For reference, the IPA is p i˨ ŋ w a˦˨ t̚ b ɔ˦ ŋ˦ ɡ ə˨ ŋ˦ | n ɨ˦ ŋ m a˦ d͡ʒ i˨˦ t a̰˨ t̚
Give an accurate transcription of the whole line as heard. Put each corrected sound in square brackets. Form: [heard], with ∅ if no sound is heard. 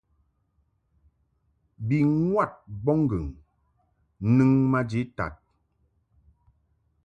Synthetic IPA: [b] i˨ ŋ w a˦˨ t̚ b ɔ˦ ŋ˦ ɡ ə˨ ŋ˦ | n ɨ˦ ŋ m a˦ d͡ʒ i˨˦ t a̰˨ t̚

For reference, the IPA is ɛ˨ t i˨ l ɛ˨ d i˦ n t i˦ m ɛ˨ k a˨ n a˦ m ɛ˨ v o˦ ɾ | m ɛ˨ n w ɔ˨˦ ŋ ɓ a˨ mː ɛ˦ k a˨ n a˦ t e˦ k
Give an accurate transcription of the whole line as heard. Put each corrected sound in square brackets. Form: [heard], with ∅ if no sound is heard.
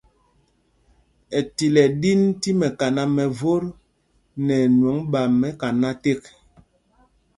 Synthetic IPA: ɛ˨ t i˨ l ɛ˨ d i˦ n t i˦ m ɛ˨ k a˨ n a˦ m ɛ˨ v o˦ ɾ | [n] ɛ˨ n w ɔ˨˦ ŋ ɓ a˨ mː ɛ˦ k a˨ n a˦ t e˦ k

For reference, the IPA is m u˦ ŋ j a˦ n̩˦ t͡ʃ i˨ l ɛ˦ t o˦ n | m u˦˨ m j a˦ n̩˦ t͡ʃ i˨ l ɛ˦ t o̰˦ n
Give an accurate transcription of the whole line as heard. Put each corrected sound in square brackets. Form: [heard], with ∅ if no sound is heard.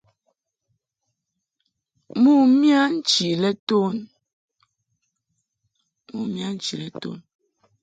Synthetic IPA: m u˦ [m] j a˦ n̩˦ t͡ʃ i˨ l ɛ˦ t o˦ n | m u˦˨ m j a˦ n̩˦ t͡ʃ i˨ l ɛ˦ t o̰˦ n

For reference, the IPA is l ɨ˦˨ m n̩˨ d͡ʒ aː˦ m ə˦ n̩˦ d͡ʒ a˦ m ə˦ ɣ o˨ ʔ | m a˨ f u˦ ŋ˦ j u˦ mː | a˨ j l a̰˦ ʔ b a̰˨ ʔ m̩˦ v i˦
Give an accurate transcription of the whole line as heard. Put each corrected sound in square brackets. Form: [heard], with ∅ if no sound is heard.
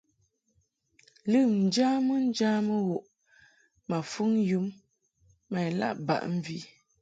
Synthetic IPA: l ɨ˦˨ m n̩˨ d͡ʒ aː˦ m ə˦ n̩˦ d͡ʒ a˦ m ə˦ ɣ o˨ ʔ | m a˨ f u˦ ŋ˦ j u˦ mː | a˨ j l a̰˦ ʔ b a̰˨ ʔ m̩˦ v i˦

